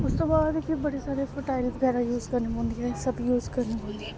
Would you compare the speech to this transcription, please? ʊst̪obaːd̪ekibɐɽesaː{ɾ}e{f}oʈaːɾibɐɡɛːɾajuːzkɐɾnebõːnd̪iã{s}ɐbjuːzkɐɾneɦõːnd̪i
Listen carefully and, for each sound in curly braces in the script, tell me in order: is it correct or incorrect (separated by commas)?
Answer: correct, correct, correct